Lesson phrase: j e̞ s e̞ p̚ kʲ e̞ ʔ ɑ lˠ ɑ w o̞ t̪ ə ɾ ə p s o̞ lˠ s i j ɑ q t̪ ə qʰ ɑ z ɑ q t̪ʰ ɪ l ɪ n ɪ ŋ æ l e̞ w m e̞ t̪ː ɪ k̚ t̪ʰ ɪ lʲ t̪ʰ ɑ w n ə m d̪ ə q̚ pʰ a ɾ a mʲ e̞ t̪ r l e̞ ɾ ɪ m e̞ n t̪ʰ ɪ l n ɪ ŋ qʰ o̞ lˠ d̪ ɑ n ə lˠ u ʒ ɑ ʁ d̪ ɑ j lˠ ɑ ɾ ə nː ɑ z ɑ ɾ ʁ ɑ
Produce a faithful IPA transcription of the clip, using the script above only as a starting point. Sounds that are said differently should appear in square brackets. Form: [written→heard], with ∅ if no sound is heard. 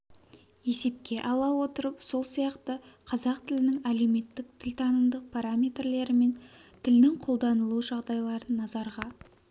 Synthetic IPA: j e̞ s e̞ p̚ kʲ e̞ ʔ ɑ lˠ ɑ w o̞ t̪ ə ɾ ə p s o̞ lˠ s i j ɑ q t̪ ə qʰ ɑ z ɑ q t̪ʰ ɪ l ɪ n ɪ ŋ æ l e̞ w m e̞ t̪ː ɪ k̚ t̪ʰ ɪ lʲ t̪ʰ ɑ [w→∅] n ə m d̪ ə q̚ pʰ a ɾ a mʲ e̞ t̪ r l e̞ ɾ ɪ m e̞ n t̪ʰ ɪ l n ɪ ŋ qʰ o̞ lˠ d̪ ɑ n ə lˠ u ʒ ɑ ʁ d̪ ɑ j lˠ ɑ ɾ ə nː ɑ z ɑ ɾ ʁ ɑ